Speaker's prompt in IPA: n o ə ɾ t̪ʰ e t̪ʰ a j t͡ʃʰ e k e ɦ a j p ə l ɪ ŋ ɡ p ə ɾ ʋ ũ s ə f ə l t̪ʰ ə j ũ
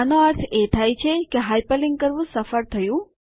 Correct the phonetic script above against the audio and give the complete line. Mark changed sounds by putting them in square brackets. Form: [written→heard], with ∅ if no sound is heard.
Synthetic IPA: n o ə ɾ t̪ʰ e t̪ʰ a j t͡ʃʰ e k e ɦ a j p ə l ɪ ŋ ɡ [p→k] ə ɾ ʋ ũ s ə f ə [l→ɾ] t̪ʰ ə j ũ